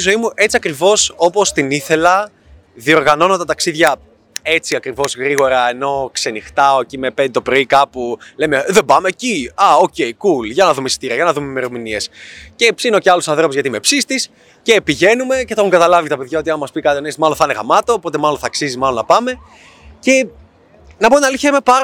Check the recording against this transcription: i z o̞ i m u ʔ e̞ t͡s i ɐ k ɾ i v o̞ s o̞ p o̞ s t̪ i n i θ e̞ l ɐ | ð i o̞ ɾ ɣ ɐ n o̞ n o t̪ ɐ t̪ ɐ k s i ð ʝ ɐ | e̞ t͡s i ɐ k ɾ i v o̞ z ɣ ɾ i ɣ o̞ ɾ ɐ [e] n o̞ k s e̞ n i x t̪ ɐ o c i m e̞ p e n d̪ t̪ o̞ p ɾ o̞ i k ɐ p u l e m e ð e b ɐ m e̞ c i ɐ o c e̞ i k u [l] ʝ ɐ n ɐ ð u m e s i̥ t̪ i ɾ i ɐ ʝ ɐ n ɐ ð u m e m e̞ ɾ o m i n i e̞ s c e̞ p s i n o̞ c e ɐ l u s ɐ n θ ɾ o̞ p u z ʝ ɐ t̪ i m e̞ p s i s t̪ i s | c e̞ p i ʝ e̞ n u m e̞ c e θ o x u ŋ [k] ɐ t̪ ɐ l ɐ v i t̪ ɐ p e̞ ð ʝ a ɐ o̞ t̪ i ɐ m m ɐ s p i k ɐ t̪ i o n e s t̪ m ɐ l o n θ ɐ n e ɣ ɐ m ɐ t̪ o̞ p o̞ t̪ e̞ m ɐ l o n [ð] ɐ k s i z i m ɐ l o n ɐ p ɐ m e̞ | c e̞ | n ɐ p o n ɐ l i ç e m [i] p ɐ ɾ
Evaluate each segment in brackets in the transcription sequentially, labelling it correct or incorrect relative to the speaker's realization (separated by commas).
correct, correct, incorrect, incorrect, incorrect